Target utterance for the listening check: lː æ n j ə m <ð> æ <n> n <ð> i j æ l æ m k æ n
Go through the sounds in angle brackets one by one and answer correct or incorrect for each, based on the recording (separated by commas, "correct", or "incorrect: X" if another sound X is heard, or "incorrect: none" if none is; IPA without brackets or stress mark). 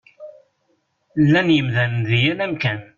correct, correct, correct